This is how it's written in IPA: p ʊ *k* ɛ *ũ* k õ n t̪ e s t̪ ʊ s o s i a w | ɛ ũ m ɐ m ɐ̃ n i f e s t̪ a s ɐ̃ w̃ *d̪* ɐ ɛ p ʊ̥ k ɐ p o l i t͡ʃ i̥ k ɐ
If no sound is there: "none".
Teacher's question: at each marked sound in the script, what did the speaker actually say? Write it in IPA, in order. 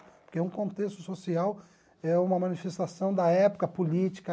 k, ũ, d̪

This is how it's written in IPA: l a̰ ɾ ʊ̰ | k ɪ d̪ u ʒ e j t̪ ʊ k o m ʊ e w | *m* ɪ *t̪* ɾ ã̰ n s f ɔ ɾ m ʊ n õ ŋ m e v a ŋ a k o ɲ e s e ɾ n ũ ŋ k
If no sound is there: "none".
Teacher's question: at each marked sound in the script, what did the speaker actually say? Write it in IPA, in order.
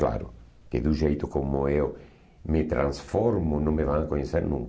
m, t̪

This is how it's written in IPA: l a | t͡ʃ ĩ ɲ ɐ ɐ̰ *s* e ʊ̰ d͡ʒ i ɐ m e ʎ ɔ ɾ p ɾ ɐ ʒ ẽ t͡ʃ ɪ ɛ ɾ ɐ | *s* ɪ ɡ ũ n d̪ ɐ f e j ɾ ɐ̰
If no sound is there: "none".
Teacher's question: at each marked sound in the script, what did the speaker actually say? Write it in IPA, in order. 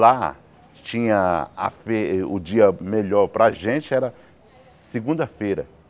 f, s

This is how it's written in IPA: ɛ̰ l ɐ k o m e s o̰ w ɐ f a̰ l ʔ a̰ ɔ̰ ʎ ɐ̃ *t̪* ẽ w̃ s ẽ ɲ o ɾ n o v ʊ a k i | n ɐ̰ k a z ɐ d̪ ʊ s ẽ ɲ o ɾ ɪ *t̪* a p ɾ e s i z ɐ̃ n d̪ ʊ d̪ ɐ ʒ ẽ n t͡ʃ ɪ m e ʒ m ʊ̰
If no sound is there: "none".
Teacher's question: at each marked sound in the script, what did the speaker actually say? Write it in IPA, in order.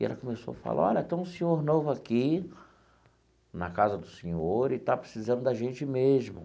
t̪, t̪

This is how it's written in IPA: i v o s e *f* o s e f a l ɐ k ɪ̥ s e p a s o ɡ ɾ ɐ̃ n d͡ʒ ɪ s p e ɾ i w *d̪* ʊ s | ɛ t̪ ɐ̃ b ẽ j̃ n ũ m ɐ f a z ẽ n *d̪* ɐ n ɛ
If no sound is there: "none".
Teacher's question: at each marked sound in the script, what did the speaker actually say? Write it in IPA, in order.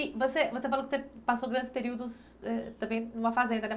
v, d̪, d̪

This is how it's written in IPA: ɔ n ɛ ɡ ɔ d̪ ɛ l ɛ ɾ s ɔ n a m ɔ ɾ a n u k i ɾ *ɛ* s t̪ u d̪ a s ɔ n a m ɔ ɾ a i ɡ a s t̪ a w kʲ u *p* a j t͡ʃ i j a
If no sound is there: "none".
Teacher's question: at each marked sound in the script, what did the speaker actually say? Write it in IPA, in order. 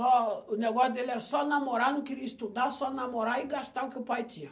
i, p

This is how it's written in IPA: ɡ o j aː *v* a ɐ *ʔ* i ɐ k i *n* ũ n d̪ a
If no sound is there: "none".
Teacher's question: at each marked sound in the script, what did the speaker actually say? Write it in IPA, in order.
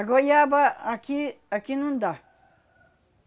b, k, n

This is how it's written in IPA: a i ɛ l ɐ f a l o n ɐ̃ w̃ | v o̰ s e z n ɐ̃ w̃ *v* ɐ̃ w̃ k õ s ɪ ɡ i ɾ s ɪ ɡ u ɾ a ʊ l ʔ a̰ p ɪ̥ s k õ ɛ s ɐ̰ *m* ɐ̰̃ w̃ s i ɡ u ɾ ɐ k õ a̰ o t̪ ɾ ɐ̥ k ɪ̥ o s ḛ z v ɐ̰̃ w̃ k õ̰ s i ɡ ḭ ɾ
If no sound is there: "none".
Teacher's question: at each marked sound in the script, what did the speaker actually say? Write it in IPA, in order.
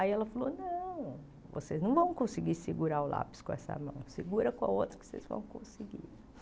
v, m

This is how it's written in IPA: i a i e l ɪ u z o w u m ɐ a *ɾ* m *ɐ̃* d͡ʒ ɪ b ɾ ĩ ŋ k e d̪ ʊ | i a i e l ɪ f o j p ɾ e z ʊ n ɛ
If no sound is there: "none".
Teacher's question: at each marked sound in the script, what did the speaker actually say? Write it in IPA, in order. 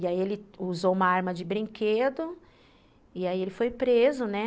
ɾ, ɐ

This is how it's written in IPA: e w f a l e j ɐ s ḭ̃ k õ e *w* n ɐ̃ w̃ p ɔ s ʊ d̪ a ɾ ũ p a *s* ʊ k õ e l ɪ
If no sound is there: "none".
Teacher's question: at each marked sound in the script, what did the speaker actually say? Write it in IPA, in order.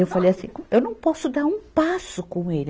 w, s

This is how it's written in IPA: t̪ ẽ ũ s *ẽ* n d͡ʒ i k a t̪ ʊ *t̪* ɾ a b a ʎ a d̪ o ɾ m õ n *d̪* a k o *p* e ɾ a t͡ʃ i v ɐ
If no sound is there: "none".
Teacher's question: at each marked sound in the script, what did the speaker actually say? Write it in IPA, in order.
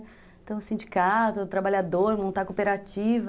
ĩ, t̪, t̪, p

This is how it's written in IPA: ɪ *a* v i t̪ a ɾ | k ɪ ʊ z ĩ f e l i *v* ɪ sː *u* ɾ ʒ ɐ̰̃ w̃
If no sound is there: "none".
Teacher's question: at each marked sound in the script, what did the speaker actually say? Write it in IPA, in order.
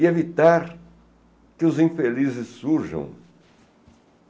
e, z, u

